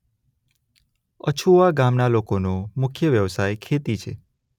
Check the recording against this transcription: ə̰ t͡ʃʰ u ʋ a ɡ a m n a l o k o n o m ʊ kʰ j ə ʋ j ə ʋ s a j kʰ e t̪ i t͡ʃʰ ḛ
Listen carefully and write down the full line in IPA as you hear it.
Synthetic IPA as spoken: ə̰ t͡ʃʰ u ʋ a ɡ a m n a l o k o n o m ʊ kʰ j ə ʋ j ə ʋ s a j kʰ e t̪ i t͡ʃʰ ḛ

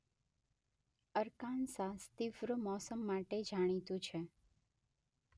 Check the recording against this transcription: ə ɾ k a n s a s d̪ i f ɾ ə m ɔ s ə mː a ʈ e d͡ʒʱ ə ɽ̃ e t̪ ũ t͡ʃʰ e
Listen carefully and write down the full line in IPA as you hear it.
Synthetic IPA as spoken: ə ɾ k a n s a s t̪ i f ɾ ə m ɔ s ə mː a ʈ e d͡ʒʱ a ɽ̃ i t̪ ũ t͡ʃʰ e

